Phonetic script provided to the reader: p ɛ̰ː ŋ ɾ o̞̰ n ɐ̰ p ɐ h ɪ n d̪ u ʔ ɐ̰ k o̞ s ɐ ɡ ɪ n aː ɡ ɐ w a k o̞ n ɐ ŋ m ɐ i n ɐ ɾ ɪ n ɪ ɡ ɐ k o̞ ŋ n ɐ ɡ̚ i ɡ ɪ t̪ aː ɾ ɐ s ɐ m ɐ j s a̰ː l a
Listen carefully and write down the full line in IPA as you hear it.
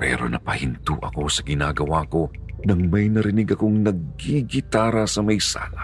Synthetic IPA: p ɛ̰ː ɾ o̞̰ n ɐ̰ p ɐ h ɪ n t̪ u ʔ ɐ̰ k o̞ s ɐ ɡ ɪ n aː ɡ ɐ w a k o̞ n ɐ ŋ m ɐ j n ɐ ɾ ɪ n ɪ ɡ ɐ k o̞ ŋ n ɐ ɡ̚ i ɡ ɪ t̪ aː ɾ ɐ s ɐ m ɐ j s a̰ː l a